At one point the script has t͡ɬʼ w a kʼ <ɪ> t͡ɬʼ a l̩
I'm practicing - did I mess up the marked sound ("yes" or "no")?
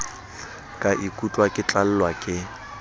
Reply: no